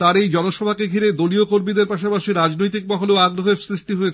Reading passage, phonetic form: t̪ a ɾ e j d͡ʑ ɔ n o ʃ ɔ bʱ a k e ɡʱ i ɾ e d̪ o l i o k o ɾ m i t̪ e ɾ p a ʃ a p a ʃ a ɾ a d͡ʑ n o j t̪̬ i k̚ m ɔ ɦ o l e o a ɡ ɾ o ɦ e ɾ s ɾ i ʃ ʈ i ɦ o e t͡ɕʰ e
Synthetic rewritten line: t̪ a ɾ e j d͡ʑ ɔ n o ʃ ɔ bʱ a k e ɡʱ i ɾ e d̪ o l i o k o ɾ m i d̪ e ɾ p a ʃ a p a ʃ i ɾ a d͡ʑ n o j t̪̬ i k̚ m ɔ ɦ o l e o a ɡ ɾ o ɦ e ɾ s ɾ i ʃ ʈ i ɦ o e t͡ɕʰ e

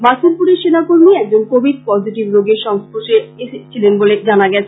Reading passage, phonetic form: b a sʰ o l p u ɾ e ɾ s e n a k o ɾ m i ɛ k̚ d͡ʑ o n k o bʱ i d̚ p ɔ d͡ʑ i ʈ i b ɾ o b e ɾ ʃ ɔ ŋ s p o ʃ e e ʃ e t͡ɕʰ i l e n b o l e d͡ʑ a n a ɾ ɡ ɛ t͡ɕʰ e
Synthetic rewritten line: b a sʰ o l p u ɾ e ɾ ʃ e n a k o ɾ m i ɛ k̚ d͡ʑ o n k o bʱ i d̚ p ɔ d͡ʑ i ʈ i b ɾ o ɡ e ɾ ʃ ɔ ŋ s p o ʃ e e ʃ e t͡ɕʰ i l e n b o l e d͡ʑ a n a ɡ ɛ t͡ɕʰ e

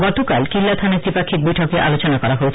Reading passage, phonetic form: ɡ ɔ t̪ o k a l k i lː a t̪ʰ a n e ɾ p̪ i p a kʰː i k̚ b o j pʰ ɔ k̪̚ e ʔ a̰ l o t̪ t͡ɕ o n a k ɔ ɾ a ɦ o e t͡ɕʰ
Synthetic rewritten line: ɡ ɔ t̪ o k a l k i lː a t̪ʰ a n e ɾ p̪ i p a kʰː i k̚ b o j ʈʰ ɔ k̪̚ e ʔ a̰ l o t͡ɕ o n a k ɔ ɾ a ɦ o e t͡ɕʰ

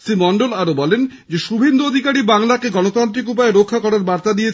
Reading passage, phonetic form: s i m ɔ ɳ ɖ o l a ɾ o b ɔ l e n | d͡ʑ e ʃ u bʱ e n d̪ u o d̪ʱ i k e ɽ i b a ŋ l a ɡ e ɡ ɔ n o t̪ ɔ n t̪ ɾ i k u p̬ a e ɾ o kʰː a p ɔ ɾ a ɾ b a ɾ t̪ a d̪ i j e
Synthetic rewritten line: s i m ɔ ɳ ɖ o l a ɾ o b ɔ l e n | d͡ʑ e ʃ u bʱ e n d̪ u o d̪ʱ i k a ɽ i b a ŋ l a k e ɡ ɔ n o t̪ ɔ n t̪ ɾ i k u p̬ a e ɾ o kʰː a k ɔ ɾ a ɾ b a ɾ t̪ a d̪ i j e

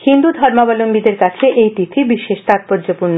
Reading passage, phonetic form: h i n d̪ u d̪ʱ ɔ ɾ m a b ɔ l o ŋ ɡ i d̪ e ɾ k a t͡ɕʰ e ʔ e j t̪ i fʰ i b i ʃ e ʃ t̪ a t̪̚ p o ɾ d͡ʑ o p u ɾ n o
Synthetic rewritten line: h i n d̪ u d̪ʱ ɔ ɾ m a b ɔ l o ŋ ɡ i d̪ e ɾ k a t͡ɕʰ e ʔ e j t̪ i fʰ i b i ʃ e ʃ t̪ a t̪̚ p o ɾ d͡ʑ o p u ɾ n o

